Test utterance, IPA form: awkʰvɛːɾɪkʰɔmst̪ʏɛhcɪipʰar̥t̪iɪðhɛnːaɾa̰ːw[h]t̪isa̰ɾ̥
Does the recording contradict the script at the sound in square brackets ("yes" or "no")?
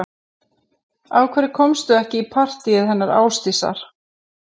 yes